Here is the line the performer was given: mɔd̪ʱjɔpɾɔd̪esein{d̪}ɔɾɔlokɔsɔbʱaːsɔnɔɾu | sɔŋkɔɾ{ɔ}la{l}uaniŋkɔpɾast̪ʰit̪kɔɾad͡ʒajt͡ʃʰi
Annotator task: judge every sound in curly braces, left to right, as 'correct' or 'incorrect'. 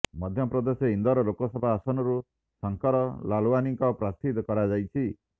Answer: correct, correct, correct

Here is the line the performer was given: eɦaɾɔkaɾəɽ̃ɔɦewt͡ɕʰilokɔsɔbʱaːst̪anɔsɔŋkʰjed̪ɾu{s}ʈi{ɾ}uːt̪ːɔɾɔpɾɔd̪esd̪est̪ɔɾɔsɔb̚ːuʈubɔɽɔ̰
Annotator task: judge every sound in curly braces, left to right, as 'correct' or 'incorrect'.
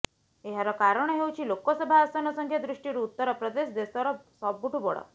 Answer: incorrect: ʂ, correct

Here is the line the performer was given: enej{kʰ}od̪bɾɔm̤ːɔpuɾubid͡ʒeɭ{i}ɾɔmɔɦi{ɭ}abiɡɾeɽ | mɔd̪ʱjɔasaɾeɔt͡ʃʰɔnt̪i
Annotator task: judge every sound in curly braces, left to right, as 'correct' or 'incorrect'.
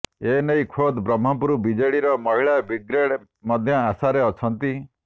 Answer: correct, correct, correct

